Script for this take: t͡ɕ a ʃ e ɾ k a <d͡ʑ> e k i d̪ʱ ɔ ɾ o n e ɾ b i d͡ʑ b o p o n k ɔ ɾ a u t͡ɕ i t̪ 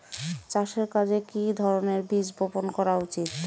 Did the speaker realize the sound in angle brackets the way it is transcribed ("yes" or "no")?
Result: yes